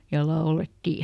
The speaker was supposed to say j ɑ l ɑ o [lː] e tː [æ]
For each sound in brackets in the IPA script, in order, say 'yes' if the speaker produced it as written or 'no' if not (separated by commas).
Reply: no, no